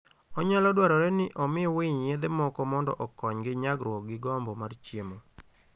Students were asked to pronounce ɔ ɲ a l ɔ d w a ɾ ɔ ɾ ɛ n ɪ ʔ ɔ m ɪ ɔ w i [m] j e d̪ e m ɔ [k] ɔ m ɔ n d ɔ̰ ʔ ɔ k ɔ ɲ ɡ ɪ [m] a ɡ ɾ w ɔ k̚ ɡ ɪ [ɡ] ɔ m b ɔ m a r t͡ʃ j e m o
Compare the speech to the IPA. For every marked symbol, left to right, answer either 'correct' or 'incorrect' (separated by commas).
incorrect, correct, incorrect, correct